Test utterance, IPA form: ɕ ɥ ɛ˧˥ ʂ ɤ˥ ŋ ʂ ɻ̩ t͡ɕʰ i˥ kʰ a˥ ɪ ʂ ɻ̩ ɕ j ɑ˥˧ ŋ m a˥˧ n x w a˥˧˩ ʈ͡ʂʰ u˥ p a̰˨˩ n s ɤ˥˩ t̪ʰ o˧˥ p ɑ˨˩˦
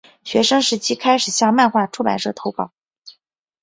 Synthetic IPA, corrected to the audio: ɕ ɥ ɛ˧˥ ʂ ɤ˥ ŋ ʂ ɻ̩ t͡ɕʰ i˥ kʰ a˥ ɪ ʂ ɻ̩ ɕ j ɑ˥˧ ŋ m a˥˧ n x w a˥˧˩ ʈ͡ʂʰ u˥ p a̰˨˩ n ʂ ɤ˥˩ t̪ʰ o˧˥ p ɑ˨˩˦